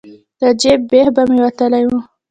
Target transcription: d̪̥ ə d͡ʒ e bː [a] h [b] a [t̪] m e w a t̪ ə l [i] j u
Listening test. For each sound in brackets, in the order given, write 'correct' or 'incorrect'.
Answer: incorrect: e, correct, incorrect: none, incorrect: a

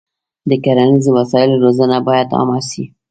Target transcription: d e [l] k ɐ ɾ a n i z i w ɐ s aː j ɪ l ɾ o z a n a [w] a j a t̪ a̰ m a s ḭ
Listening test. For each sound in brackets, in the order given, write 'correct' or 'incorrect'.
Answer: incorrect: none, incorrect: b

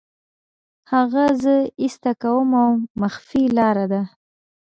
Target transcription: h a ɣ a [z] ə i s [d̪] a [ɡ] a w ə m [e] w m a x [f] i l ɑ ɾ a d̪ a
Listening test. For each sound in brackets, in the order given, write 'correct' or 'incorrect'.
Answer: correct, incorrect: t̪, incorrect: k, incorrect: a, correct

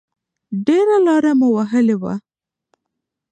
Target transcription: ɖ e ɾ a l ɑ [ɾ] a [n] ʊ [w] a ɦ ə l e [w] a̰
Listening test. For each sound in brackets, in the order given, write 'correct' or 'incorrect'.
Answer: correct, incorrect: m, correct, correct

